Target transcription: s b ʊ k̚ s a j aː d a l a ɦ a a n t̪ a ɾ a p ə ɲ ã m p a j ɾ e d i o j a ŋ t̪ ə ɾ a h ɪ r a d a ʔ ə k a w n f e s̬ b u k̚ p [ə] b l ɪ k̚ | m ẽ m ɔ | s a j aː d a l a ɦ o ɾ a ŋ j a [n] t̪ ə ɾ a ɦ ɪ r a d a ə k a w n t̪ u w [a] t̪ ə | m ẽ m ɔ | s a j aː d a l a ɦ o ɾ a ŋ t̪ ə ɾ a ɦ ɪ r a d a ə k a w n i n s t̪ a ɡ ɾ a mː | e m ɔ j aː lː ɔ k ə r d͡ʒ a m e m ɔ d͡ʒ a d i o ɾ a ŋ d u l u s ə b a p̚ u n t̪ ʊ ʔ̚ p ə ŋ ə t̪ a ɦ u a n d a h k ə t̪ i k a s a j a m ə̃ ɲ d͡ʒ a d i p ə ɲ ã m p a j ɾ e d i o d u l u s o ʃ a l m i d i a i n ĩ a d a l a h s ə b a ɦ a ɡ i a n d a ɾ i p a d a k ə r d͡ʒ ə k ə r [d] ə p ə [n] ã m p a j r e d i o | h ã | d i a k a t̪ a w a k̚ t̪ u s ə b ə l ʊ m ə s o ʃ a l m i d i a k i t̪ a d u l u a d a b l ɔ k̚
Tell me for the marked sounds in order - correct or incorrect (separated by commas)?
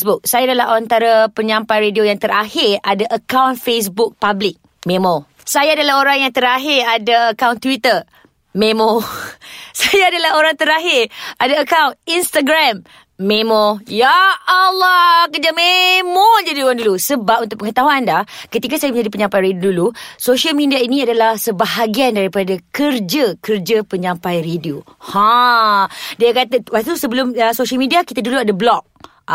incorrect, incorrect, incorrect, incorrect, incorrect